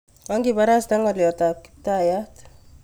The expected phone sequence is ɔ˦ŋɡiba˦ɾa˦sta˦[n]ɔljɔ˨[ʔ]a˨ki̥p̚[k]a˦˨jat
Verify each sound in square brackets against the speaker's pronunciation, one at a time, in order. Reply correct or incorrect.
incorrect: ŋ, incorrect: t, incorrect: t

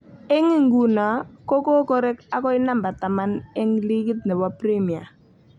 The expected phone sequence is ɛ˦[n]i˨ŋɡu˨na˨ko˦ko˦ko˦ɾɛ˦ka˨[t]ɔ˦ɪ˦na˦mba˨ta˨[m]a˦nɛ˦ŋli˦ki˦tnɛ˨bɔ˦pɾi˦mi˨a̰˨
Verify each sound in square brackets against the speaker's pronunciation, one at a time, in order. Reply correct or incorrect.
incorrect: ŋ, incorrect: k, correct

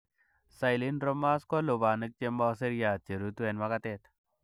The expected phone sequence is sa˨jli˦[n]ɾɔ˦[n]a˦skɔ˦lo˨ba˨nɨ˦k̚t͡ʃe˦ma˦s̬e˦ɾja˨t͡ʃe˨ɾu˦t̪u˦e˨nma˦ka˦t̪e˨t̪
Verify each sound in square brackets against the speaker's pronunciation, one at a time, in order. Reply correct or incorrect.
correct, incorrect: m

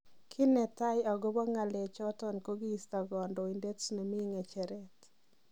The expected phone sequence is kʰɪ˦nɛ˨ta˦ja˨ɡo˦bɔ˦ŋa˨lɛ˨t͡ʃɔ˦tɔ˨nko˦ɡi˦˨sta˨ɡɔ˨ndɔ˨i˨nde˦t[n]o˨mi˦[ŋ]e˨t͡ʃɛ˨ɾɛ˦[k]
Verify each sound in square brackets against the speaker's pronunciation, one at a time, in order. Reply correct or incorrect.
correct, correct, incorrect: t

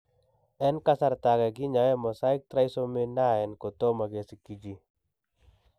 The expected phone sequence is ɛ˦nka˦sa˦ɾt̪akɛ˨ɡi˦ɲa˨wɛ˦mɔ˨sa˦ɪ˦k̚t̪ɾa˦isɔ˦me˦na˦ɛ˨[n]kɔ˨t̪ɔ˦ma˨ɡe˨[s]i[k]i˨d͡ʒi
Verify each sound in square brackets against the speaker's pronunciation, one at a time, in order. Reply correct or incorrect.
correct, correct, correct

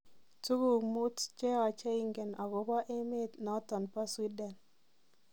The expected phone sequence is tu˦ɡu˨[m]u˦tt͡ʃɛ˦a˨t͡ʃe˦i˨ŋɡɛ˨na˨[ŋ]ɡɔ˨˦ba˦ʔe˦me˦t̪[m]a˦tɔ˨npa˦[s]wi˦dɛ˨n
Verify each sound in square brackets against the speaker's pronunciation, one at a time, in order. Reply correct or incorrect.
correct, incorrect: none, incorrect: n, correct

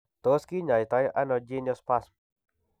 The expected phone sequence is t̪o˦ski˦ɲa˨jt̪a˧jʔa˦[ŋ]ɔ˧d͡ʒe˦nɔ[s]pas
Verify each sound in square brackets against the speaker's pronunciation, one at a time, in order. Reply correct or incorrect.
incorrect: n, correct

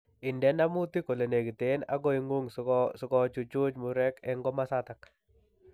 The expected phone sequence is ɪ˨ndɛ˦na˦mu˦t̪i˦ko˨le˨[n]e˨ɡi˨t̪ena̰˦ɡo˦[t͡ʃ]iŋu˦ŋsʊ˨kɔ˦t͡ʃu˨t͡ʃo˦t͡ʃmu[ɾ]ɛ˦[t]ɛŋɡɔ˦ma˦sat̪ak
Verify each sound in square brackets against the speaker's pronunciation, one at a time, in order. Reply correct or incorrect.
correct, incorrect: none, correct, incorrect: k

